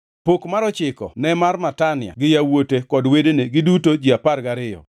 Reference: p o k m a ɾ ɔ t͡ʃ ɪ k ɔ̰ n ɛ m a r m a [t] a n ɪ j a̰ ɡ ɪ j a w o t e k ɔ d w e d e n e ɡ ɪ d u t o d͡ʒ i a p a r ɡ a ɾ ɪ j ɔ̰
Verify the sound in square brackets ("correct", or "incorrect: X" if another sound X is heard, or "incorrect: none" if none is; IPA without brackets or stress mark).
correct